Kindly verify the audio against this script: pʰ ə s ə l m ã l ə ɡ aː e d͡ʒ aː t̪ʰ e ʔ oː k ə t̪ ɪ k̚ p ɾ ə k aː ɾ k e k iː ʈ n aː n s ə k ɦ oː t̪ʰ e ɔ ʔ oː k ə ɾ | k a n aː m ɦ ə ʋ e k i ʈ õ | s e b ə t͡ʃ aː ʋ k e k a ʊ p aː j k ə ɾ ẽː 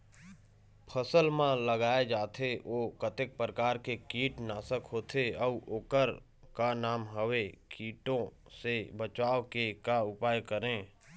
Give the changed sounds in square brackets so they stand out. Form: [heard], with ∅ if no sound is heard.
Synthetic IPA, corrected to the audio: pʰ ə s ə l m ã l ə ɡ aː e d͡ʒ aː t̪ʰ e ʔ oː k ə t̪ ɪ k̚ p ɾ ə k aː ɾ k e k iː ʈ n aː [∅] s ə k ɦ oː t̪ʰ e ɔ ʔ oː k ə ɾ | k a n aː m ɦ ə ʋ e k [iː] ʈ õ | s e b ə t͡ʃ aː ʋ k e k a ʊ p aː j k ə ɾ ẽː

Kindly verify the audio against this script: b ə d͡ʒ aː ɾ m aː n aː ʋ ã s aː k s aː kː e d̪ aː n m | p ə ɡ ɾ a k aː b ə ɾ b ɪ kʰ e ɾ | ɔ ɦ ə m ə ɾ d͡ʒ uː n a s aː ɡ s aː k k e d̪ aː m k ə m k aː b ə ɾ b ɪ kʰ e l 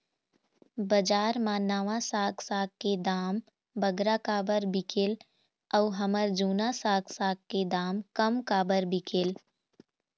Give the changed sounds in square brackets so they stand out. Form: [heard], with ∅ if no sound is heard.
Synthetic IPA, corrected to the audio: b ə d͡ʒ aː ɾ m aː n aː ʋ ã s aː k s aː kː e d̪ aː [∅] m | [b] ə ɡ ɾ a k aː b ə ɾ b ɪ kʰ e [l] | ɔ ɦ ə m ə ɾ d͡ʒ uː n a s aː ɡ s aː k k e d̪ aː m k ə m k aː b ə ɾ b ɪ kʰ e l

